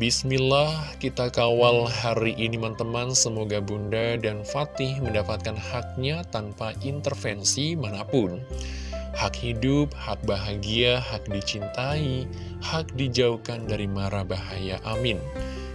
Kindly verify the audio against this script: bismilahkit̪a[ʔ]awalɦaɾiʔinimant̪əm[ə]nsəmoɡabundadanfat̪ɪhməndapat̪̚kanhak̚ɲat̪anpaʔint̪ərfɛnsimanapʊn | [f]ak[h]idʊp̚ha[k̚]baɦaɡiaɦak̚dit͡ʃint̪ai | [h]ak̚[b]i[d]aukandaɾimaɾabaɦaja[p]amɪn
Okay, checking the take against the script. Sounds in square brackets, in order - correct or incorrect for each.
incorrect: k, incorrect: a, incorrect: h, correct, correct, correct, incorrect: d, incorrect: d͡ʒ, incorrect: ʔ

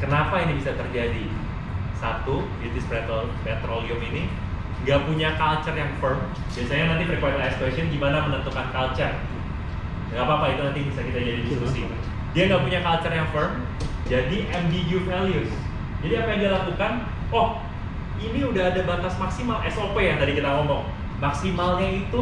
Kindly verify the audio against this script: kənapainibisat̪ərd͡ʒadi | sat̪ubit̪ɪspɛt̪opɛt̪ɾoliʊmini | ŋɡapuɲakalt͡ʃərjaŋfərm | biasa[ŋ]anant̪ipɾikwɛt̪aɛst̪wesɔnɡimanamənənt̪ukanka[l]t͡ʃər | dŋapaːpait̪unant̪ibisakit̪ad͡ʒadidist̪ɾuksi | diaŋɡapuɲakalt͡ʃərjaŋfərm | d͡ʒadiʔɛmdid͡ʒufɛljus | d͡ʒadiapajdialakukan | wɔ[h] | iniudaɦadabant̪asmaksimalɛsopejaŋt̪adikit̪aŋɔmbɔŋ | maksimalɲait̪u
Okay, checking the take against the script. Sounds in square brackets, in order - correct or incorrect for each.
incorrect: ɲ, correct, correct

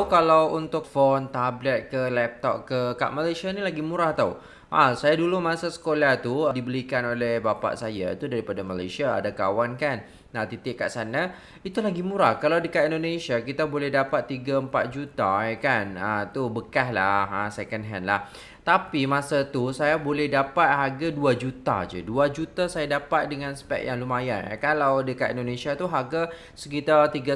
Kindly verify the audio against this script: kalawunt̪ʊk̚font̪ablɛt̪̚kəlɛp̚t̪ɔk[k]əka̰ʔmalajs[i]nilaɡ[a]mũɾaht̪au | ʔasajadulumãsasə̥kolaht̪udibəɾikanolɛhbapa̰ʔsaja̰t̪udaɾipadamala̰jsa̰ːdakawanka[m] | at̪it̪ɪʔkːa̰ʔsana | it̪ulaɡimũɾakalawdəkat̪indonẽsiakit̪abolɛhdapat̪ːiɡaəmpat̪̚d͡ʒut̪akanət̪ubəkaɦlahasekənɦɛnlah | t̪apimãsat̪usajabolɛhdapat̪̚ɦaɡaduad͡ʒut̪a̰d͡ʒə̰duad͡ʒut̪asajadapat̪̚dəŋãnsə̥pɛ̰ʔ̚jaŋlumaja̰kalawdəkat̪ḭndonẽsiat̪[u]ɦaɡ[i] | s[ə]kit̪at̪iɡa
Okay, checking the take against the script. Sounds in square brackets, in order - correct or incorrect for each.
correct, incorrect: a, incorrect: i, incorrect: n, correct, incorrect: a, correct

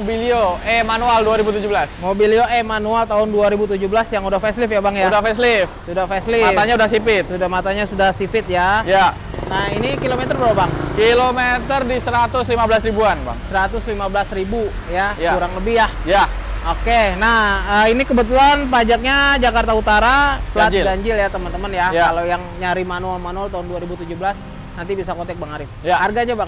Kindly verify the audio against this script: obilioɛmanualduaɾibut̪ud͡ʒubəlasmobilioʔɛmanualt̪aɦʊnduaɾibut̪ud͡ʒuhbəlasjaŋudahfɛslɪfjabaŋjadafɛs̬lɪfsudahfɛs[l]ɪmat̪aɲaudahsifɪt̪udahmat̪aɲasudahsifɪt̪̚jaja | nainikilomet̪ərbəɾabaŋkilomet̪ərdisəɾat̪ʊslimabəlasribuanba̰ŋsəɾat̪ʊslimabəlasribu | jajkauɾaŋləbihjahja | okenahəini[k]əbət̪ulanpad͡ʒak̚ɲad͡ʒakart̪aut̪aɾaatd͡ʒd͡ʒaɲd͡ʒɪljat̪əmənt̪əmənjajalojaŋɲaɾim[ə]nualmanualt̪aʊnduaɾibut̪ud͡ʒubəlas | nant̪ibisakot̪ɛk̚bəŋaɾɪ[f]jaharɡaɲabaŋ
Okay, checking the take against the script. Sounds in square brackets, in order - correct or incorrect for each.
correct, correct, incorrect: a, correct

